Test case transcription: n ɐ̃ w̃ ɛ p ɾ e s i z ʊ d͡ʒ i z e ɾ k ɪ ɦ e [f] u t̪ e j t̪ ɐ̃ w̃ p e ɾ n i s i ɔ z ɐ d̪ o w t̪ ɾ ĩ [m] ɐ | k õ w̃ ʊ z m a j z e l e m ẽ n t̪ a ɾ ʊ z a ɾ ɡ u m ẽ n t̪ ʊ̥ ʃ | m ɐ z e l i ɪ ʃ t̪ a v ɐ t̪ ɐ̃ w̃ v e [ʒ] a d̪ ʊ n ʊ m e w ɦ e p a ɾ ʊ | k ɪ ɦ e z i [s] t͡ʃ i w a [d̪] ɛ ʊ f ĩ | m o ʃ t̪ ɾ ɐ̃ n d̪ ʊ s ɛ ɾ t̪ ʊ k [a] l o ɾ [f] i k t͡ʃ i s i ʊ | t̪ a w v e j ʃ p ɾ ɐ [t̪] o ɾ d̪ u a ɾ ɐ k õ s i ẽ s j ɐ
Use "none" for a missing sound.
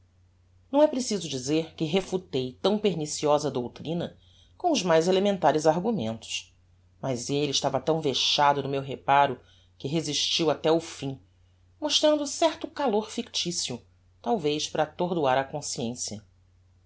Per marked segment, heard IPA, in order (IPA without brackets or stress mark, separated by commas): f, n, ʃ, ʃ, t̪, a, f, t̪